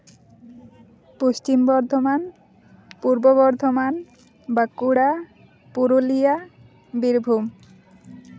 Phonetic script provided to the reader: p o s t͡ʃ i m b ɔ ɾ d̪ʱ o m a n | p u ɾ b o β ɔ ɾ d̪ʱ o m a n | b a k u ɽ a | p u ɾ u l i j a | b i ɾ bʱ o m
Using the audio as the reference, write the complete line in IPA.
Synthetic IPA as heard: p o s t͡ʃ i m b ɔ ɾ d̪ʱ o m a n | p u ɾ b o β ɔ ɾ d̪ʱ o m a n | b a k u ɽ a | p u ɾ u l i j a | b i ɾ bʱ u m